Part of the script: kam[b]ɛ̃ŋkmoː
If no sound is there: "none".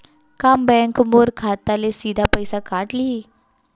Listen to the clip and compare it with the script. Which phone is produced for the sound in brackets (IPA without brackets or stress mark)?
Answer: b